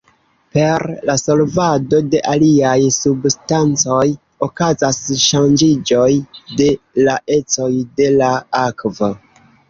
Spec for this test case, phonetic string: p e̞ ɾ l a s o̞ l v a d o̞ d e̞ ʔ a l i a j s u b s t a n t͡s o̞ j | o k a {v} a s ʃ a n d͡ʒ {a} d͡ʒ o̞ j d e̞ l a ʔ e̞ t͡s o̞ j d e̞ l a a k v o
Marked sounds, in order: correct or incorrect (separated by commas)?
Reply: incorrect, incorrect